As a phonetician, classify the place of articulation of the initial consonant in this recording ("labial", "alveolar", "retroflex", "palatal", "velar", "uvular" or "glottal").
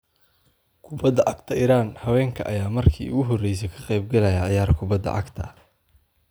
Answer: velar